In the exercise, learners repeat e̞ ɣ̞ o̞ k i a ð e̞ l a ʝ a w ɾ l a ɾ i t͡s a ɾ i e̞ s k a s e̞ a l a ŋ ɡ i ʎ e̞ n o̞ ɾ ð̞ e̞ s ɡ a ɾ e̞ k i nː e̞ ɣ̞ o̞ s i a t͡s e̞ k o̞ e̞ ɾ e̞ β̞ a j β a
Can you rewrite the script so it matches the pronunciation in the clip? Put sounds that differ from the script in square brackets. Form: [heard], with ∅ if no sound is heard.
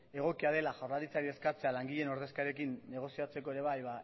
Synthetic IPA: e̞ ɣ̞ o̞ k i a ð e̞ l a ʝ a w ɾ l a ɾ i t͡s a ɾ i e̞ s k a [t͡s] e̞ a l a ŋ ɡ i ʎ e̞ n o̞ ɾ ð̞ e̞ s [k] a ɾ e̞ k i nː e̞ ɣ̞ o̞ s i a t͡s e̞ k o̞ e̞ ɾ e̞ β̞ a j β a